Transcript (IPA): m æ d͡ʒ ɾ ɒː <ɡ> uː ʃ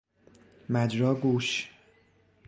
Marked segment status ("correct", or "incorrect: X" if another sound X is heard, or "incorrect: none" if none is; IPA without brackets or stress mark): correct